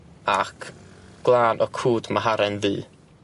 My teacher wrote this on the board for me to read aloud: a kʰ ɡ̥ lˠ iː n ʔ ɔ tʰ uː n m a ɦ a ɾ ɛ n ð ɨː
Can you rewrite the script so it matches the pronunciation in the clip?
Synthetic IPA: a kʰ ɡ̥ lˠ aː n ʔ ɔ kʰ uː d m a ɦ a ɾ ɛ n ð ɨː